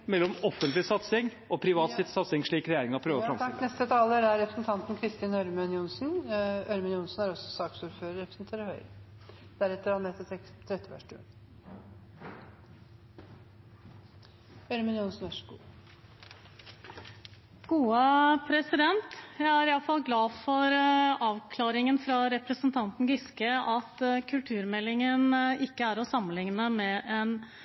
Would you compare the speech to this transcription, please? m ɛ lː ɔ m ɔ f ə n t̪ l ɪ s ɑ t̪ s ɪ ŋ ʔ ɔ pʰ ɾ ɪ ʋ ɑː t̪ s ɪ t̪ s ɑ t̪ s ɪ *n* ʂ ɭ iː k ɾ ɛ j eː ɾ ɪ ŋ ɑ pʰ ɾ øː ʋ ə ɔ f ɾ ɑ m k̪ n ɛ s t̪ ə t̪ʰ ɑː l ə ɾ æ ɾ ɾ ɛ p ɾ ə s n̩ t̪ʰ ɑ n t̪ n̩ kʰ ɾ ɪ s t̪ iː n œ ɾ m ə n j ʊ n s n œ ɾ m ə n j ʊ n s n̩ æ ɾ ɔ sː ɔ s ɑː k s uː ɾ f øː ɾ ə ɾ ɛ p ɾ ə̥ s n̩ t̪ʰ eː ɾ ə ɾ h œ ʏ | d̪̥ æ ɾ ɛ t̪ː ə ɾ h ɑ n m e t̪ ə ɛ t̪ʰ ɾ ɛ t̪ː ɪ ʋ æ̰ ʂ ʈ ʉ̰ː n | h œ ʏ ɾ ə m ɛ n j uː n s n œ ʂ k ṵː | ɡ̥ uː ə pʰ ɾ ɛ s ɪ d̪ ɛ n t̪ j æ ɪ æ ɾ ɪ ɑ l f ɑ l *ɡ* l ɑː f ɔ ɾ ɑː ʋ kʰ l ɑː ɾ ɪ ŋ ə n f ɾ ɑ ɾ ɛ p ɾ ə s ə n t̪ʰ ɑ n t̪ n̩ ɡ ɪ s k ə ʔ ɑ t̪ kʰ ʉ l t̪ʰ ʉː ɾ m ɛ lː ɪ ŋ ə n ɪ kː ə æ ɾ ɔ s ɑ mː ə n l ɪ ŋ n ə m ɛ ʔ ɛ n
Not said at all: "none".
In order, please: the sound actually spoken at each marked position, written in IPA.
ŋ, ɡ

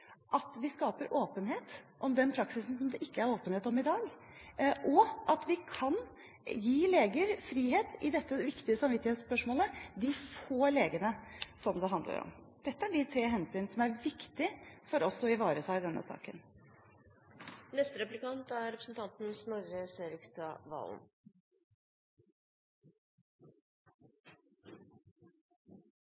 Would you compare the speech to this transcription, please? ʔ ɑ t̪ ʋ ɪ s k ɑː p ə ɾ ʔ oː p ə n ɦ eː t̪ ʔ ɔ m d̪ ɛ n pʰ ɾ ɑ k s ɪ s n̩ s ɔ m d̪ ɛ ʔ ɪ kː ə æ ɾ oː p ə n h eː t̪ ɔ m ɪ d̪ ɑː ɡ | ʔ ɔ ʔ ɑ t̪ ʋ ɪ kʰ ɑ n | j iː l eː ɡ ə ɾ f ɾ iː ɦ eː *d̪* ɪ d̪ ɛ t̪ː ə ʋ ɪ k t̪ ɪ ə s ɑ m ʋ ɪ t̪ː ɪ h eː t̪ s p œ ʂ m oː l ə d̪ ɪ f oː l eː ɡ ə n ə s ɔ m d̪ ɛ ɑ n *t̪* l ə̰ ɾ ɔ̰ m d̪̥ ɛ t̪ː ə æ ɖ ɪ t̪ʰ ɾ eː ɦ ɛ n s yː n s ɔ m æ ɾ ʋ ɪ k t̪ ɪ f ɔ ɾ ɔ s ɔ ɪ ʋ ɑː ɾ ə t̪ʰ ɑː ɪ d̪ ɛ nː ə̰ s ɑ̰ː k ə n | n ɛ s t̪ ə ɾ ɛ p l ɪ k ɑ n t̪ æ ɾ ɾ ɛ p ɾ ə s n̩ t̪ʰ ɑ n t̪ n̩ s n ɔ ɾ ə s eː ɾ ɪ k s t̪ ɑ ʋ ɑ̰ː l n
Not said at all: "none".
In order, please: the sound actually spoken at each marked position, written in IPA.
t̪, d̪

